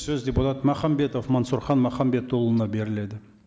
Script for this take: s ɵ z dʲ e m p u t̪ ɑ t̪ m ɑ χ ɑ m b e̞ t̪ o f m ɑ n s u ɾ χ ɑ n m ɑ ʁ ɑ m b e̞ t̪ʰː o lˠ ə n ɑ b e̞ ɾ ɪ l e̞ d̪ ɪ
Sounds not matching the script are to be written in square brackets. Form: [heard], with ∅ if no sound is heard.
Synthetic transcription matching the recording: s ɵ z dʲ e [∅] p u t̪ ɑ t̪ m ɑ χ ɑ m b e̞ t̪ o f m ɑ n s u ɾ χ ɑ n m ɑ [χ] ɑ m b e̞ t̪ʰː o lˠ ə n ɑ b e̞ ɾ ɪ l e̞ d̪ ɪ